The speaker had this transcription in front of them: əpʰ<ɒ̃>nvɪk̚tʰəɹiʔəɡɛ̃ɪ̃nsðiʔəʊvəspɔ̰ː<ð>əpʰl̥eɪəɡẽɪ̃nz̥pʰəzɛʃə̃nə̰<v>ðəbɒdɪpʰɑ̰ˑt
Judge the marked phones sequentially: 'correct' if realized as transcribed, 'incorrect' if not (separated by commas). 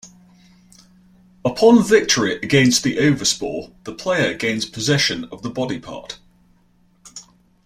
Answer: correct, correct, correct